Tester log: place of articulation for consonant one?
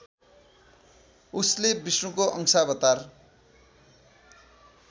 alveolar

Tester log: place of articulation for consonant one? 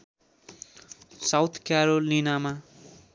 alveolar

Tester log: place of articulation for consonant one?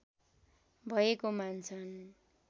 labial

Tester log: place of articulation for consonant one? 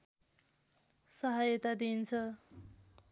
alveolar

